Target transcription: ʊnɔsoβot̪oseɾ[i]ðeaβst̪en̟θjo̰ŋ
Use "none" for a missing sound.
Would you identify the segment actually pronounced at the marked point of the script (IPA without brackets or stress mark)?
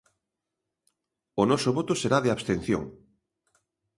a